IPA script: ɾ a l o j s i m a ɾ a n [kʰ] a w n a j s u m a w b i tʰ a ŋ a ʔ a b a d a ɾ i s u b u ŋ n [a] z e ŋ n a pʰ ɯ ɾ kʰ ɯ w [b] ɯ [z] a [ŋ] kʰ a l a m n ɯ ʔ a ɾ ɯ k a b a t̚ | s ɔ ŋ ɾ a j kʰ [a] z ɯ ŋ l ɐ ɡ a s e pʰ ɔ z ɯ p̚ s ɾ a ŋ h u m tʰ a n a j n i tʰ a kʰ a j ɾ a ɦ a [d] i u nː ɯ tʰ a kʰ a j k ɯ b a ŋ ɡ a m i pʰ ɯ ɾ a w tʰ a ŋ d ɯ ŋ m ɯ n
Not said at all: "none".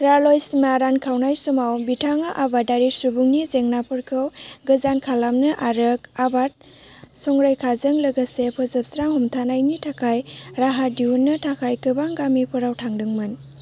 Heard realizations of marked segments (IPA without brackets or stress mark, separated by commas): kʰ, i, ɡ, z, n, a, d